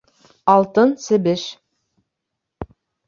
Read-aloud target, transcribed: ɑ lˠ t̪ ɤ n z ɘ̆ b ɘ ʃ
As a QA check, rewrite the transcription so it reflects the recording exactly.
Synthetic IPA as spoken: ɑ lˠ t̪ ɤ n s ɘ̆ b ɘ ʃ